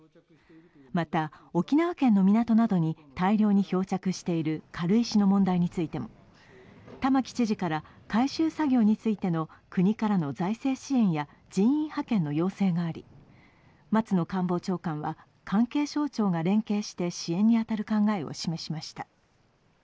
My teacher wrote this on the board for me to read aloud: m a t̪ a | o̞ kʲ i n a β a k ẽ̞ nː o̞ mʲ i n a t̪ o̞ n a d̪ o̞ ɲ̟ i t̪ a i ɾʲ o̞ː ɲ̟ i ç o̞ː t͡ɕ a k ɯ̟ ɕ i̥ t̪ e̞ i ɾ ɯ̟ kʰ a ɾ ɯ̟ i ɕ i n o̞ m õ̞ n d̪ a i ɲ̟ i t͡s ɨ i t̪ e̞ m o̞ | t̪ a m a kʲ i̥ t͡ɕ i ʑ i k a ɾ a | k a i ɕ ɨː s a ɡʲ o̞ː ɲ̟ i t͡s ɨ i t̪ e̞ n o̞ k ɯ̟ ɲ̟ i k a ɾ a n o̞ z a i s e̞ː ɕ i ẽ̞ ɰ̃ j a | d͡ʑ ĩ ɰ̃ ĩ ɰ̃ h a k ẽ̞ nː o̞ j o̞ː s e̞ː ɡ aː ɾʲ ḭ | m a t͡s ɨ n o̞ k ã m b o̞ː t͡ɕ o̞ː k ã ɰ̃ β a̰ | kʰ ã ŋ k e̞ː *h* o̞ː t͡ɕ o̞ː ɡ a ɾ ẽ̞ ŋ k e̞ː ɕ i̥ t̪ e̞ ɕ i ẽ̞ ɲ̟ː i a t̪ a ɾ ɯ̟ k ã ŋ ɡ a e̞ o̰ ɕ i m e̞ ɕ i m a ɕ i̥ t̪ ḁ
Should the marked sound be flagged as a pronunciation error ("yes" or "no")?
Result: yes